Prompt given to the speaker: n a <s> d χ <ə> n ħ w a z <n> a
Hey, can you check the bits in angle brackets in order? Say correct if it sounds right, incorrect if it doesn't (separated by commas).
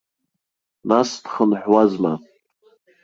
correct, correct, incorrect